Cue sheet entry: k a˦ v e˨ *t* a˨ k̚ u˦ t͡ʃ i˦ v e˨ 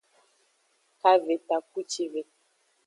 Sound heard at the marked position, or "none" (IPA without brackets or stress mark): t